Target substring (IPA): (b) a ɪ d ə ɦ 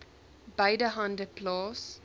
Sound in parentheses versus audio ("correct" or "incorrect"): correct